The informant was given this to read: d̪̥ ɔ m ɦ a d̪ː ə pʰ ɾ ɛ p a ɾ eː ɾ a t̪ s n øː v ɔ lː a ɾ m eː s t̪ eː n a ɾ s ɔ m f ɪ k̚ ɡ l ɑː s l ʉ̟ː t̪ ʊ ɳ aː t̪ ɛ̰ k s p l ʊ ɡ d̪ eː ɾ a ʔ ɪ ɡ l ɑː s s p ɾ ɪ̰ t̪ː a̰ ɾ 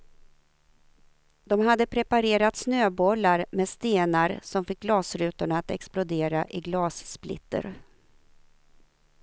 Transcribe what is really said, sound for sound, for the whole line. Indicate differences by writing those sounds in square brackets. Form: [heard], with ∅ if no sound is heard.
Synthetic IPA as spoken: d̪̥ ɔ m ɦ a d̪ː ə pʰ ɾ ɛ p a ɾ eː ɾ a t̪ s n øː [b] ɔ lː a ɾ m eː s t̪ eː n a ɾ s ɔ m f ɪ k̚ ɡ l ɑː s [ɾ] ʉ̟ː t̪ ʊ ɳ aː t̪ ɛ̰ k s p l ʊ [∅] d̪ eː ɾ a ʔ ɪ ɡ l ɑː s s p [l] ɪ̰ t̪ː [ə̰] ɾ

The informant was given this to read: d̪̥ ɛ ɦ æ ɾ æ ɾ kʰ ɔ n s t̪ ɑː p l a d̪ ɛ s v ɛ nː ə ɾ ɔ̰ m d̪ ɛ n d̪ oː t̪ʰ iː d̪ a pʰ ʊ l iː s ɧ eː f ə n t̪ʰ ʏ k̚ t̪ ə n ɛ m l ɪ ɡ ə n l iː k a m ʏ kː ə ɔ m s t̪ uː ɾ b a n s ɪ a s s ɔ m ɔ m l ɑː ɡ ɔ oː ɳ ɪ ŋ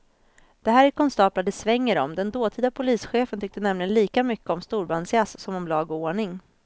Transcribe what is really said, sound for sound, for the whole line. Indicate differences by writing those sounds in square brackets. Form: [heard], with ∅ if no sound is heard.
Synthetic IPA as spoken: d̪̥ ɛ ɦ [æː] ɾ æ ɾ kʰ ɔ n s t̪ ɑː p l a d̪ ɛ s v ɛ [ŋː] ə ɾ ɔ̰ m d̪ ɛ n d̪ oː t̪ʰ iː d̪ a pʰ ʊ l iː s ɧ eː f ə n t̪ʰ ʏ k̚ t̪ ə n ɛ m l ɪ ɡ ə n l iː k a m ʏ kː ə ɔ m s t̪ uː ɾ b a n s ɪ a s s ɔ m ɔ m l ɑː ɡ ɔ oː ɳ ɪ ŋ

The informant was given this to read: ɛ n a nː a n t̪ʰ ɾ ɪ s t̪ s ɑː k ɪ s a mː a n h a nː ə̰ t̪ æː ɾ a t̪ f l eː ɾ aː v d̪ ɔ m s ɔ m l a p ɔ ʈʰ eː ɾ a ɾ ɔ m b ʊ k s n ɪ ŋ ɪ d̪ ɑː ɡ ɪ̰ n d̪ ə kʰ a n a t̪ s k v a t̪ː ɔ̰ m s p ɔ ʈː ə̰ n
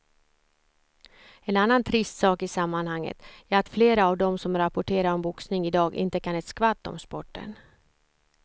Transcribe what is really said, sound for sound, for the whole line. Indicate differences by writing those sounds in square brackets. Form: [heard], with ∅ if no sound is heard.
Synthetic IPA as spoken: ɛ n a nː a n t̪ʰ ɾ ɪ s t̪ s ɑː k ɪ s a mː a n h a [ŋː] ə̰ t̪ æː ɾ a t̪ f l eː ɾ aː v d̪ ɔ m s ɔ m [ɾ] a p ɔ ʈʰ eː ɾ a ɾ ɔ m b ʊ k s n ɪ ŋ ɪ d̪ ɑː ɡ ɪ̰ n [t̪] ə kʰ a n [ɛ] t̪ s k v a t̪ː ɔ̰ m s p ɔ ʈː ə̰ n

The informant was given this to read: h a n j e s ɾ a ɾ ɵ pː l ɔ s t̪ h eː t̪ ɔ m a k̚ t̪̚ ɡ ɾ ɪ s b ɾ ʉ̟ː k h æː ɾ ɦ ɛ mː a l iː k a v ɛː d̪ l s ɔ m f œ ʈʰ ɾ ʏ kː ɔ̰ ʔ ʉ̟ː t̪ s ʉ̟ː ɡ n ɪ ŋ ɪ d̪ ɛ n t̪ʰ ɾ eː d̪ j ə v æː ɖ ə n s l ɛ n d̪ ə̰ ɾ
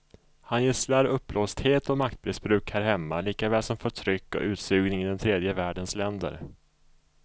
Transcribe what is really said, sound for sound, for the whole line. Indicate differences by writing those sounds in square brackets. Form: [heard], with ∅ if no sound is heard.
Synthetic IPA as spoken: h a n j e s [l] a ɾ ɵ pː l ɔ s t̪ h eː t̪ ɔ m a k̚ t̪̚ [b] ɾ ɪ s b ɾ ʉ̟ː k h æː ɾ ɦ ɛ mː a l iː k a v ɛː [∅] l s ɔ m f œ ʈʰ ɾ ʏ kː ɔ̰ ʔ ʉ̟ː t̪ s ʉ̟ː ɡ n ɪ ŋ ɪ d̪ ɛ n t̪ʰ ɾ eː d̪ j ə v æː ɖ ə n s l ɛ n d̪ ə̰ ɾ

